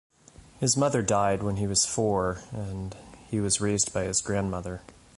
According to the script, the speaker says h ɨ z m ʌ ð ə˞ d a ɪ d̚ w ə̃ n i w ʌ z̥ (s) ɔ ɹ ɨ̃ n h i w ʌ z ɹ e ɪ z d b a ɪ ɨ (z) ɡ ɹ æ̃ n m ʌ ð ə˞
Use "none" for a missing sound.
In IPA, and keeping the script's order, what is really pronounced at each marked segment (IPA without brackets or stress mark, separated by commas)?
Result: f, z